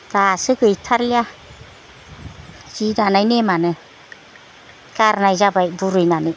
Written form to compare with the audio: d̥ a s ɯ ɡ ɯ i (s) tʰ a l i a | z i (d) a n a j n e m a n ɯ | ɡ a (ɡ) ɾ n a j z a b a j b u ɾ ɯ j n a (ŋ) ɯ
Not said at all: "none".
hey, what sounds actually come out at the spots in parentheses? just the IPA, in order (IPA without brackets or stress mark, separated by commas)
none, d, none, n